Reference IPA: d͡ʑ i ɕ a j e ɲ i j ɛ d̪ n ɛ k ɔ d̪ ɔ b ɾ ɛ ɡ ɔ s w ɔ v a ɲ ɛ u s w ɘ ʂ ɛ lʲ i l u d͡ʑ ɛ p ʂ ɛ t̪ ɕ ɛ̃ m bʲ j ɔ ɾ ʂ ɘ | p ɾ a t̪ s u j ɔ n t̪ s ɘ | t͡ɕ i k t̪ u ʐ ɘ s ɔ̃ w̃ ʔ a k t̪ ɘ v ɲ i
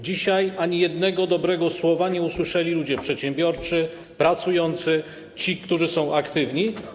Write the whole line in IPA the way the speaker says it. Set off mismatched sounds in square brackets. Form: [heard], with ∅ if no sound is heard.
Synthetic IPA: d͡ʑ i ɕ a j [a] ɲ i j ɛ d̪ n ɛ [ɡ] ɔ d̪ ɔ b ɾ ɛ ɡ ɔ s w ɔ v a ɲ ɛ u s w ɘ ʂ ɛ lʲ i l u d͡ʑ ɛ p ʂ ɛ t̪ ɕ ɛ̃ m bʲ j ɔ ɾ [t͡ʂ] ɘ | p ɾ a t̪ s u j ɔ n t̪ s ɘ | t͡ɕ i k t̪ u ʐ ɘ s ɔ̃ w̃ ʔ a k t̪ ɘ v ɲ i